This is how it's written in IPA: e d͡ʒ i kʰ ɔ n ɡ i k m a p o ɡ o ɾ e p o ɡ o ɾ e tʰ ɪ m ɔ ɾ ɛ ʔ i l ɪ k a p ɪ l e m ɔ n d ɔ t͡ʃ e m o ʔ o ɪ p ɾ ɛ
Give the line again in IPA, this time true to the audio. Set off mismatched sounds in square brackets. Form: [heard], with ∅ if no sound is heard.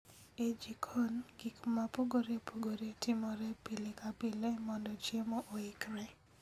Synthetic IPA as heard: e d͡ʒ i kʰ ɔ n ɡ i k m a p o ɡ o ɾ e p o ɡ o ɾ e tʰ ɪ m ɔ ɾ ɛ [p] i l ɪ k a p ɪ l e m ɔ n d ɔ t͡ʃ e m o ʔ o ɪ [k] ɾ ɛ